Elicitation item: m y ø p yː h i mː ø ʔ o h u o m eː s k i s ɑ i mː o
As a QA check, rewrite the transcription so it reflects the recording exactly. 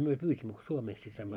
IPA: m y ø p yː s i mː ø k o s u o m eː s k i s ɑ i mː o